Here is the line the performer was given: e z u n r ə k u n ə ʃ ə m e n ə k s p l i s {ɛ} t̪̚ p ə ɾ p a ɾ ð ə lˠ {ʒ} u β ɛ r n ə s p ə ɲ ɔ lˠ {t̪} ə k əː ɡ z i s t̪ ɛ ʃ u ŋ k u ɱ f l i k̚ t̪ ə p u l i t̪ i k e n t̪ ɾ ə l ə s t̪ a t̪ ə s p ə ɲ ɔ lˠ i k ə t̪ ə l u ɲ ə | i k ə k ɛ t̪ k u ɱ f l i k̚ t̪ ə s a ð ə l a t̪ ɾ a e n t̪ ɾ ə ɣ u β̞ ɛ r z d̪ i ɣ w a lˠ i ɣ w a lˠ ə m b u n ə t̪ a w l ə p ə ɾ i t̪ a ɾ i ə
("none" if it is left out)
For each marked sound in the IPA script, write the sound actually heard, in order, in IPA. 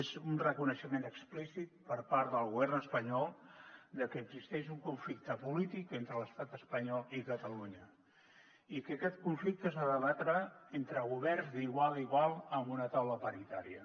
i, ɣ, d̪

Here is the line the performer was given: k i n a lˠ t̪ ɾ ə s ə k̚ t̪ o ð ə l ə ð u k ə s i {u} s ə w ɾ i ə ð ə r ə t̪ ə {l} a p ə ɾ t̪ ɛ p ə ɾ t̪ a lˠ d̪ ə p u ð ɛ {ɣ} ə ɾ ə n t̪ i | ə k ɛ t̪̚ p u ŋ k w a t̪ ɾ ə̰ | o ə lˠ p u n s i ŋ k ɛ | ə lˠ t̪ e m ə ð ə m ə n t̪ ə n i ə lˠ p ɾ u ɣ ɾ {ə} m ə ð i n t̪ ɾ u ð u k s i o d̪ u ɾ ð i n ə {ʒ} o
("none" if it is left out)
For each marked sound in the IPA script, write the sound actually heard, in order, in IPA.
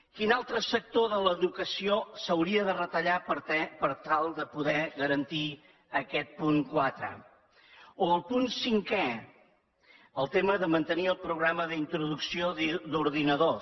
o, ʎ, ɣ, a, ð

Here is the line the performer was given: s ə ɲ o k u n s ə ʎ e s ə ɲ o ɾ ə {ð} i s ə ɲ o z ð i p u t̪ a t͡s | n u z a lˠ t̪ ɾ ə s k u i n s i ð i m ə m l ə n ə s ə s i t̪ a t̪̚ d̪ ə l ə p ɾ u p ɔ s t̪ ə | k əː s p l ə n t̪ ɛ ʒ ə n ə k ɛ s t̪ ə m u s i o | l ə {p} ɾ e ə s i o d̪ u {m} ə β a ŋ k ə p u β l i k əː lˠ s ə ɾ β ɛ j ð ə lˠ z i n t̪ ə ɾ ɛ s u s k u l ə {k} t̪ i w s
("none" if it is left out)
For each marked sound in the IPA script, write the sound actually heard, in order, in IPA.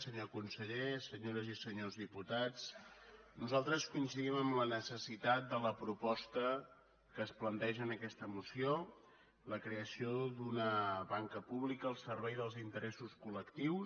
z, k, n, k

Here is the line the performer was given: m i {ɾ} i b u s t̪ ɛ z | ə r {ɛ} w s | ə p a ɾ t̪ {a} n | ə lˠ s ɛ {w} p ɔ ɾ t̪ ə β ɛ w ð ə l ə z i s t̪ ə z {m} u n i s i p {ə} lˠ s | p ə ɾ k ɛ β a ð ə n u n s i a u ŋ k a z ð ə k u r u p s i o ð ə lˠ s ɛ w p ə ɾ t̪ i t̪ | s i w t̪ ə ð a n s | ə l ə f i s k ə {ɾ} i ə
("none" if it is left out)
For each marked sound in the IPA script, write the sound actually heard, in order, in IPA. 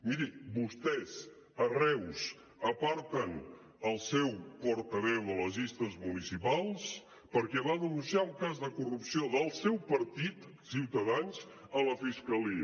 ɾ, ɛ, ə, w, m, a, l

